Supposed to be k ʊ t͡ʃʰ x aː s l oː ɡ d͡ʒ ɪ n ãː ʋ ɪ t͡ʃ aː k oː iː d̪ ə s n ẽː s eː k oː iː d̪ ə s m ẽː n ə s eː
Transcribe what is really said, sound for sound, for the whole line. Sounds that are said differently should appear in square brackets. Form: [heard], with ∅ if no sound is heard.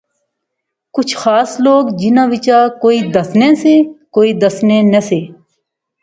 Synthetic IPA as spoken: k ʊ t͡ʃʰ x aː s l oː ɡ d͡ʒ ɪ n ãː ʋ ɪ t͡ʃ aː k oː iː d̪ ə s n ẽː s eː k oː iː d̪ ə s [n] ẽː n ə s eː